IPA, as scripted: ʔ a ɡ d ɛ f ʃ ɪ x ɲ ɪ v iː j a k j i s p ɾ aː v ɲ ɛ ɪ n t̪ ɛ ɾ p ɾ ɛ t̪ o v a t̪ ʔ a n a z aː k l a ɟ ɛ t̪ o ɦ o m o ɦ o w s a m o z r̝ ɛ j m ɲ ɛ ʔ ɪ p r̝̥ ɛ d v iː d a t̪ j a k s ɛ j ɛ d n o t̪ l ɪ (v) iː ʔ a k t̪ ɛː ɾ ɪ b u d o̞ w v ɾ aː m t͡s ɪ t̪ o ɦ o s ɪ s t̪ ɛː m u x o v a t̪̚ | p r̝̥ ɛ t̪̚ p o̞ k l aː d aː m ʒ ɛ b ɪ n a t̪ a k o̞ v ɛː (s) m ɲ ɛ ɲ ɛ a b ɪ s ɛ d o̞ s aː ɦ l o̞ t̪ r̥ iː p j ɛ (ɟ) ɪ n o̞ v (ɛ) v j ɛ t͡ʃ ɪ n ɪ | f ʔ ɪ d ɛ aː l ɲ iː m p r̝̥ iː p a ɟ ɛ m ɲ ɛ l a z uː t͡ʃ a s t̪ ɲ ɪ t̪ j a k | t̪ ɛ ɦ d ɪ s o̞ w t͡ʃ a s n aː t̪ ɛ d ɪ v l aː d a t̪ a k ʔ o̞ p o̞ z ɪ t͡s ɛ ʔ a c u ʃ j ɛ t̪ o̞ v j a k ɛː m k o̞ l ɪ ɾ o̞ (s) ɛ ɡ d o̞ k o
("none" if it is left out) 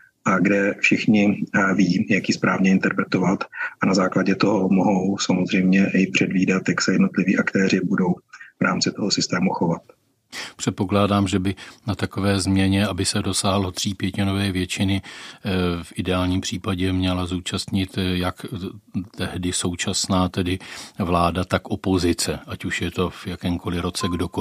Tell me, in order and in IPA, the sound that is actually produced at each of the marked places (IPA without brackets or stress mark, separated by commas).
v, z, c, ɛː, t͡s